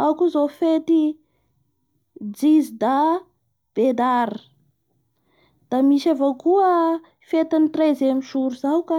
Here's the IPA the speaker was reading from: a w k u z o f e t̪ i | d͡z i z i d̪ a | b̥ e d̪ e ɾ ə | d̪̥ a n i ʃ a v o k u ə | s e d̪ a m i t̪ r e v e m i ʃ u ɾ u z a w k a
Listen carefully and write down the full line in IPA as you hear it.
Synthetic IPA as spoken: a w k u z o f e t̪ i | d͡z i z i d̪ a | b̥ e d̪ a ɾ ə | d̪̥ a m i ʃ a v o k u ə | f e t̪ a n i t̪ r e z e m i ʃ u ɾ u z a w k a